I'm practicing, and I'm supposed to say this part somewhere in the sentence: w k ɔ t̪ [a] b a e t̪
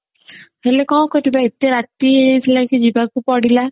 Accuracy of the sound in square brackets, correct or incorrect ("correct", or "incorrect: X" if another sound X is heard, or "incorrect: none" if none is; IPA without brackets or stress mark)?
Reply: incorrect: i